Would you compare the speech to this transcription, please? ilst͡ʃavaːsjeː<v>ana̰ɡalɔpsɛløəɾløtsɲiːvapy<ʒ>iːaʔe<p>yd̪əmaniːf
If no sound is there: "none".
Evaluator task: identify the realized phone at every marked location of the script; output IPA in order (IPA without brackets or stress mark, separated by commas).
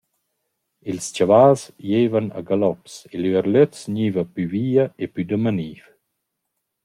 v, v, p